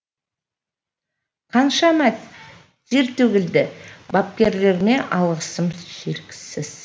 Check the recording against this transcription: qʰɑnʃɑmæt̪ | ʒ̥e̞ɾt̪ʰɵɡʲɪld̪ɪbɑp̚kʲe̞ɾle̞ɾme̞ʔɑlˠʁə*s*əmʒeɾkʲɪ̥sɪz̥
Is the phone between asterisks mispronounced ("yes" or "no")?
no